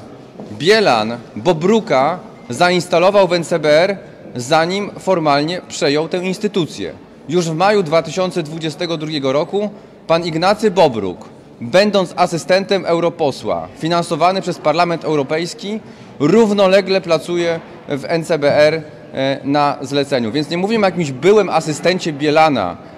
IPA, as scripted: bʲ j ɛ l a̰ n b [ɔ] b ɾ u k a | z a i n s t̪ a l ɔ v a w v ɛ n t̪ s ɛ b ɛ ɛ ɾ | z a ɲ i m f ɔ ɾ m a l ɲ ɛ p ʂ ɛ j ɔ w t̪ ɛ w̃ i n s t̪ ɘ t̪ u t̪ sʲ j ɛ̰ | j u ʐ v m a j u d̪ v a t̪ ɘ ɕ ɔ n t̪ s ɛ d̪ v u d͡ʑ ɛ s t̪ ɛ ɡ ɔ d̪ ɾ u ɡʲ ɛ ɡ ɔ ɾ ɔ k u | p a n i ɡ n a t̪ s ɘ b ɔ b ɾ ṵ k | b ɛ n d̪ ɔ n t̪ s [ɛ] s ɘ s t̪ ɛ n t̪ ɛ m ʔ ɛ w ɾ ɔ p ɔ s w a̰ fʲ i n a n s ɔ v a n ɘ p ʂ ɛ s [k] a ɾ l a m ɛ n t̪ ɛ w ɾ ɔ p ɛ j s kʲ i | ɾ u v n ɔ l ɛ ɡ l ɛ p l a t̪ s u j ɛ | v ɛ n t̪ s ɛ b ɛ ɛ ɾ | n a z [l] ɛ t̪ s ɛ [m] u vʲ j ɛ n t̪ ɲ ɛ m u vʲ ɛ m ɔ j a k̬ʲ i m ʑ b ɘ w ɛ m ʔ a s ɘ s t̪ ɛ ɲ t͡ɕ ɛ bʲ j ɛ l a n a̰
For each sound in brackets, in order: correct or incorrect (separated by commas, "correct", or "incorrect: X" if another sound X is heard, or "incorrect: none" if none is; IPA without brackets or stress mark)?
correct, incorrect: a, incorrect: p, correct, incorrect: ɲ